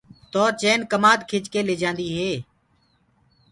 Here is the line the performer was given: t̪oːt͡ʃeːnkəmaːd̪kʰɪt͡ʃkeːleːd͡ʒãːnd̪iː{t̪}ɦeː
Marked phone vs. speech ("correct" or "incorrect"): incorrect